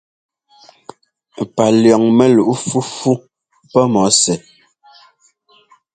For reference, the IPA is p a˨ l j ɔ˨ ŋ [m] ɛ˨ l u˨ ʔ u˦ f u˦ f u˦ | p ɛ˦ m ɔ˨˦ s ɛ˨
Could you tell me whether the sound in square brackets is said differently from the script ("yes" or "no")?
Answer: no